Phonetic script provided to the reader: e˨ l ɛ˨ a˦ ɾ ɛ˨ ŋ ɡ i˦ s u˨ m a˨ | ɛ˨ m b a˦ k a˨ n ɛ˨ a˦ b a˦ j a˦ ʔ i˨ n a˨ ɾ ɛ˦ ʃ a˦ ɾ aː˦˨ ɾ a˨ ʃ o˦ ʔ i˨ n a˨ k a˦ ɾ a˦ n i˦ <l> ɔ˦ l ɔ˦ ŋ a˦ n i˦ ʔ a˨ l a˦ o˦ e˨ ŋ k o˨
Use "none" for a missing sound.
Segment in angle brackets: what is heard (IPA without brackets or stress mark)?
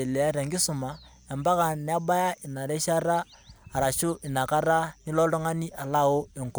l